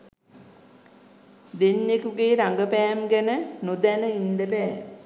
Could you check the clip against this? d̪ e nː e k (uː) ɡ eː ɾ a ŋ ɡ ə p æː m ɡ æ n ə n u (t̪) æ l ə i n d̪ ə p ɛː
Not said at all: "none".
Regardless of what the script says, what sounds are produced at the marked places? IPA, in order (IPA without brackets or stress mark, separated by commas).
u, d̪